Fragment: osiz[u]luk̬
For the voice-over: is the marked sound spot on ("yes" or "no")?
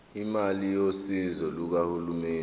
no